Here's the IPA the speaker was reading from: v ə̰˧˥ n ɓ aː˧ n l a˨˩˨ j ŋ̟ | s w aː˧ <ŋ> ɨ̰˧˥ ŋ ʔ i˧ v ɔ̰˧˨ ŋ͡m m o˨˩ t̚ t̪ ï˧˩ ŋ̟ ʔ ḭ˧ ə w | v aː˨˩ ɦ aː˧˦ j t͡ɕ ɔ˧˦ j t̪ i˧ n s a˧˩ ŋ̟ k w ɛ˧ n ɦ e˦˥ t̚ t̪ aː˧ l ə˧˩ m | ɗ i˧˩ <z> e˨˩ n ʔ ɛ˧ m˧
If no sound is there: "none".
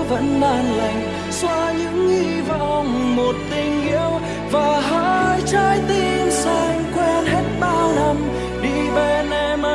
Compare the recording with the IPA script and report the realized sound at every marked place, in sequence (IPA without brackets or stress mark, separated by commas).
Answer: ɲ, v